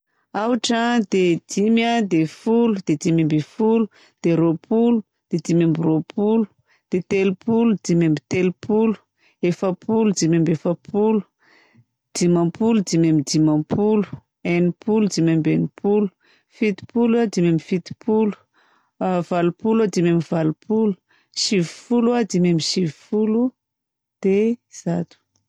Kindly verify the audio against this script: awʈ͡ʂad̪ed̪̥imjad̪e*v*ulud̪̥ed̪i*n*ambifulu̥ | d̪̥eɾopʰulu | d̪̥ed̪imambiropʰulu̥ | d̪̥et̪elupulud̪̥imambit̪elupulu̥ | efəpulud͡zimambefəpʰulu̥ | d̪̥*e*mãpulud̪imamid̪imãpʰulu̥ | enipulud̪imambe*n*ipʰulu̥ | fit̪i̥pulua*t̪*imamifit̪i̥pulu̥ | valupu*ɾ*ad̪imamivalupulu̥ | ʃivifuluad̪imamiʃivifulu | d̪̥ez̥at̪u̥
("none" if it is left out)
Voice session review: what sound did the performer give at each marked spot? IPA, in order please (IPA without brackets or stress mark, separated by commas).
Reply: f, m, i, n, d̪, l